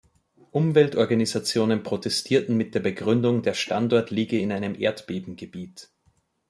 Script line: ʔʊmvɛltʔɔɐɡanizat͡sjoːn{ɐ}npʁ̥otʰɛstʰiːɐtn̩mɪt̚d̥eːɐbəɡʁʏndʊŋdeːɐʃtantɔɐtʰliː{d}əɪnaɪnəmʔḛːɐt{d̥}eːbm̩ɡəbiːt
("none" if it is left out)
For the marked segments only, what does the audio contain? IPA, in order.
ə, ɡ, b̥

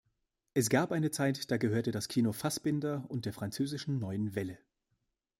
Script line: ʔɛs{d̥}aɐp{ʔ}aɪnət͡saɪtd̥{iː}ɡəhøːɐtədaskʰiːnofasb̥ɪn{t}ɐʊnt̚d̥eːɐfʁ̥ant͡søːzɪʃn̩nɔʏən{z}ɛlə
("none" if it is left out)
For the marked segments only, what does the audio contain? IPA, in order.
ɡ̥, ʔ, aː, d, v

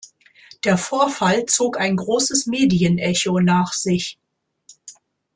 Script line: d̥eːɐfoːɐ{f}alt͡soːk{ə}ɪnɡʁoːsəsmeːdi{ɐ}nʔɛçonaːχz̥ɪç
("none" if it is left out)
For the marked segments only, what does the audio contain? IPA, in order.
f, a, ə

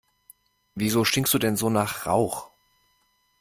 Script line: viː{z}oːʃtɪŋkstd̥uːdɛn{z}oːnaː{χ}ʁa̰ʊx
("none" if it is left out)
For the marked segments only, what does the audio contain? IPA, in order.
z, z, χ

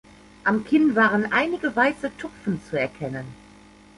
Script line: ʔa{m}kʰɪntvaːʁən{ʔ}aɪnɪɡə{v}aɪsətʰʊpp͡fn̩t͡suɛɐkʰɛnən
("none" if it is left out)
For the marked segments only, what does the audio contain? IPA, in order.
m, ʔ, v

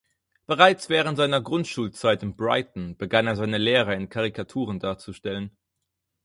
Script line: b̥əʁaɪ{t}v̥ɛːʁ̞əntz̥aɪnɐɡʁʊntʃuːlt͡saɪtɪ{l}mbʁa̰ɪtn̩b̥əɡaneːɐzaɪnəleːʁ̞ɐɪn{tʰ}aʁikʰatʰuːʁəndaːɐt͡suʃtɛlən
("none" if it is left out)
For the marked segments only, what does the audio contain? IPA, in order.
t͡s, none, kʰ

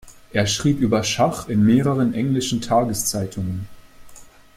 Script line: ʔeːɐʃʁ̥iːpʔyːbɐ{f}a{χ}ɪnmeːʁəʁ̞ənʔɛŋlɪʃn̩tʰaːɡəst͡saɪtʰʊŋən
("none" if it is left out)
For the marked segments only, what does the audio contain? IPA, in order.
ʃ, χ

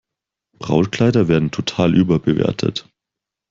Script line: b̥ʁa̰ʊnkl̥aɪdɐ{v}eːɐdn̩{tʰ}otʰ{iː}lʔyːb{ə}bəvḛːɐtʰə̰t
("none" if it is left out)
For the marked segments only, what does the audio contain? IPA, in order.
v, tʰ, aː, ɐ

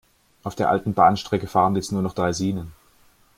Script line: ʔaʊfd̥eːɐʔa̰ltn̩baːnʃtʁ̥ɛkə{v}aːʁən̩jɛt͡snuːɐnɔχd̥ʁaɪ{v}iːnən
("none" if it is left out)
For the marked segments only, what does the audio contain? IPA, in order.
f, z

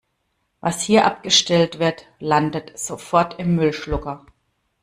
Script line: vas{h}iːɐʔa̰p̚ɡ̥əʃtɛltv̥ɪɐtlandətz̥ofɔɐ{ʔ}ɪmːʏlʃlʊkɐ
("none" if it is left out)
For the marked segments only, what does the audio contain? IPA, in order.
h, t

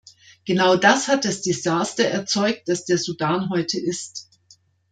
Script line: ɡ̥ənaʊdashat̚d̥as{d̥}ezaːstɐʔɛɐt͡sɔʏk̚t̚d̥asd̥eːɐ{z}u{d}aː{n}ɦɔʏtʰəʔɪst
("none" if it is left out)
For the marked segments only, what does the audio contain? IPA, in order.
d̥, z, d, n

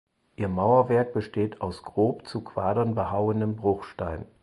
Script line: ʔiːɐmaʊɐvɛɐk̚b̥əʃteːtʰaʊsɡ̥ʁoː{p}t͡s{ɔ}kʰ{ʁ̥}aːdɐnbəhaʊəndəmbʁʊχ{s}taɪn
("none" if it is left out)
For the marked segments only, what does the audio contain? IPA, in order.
p, u, v̥, ʃ

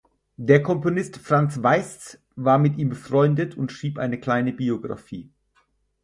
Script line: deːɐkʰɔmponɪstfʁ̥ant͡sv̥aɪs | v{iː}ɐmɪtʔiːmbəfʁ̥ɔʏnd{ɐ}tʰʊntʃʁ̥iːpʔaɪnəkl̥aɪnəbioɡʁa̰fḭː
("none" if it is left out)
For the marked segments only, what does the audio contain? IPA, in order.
aː, ə

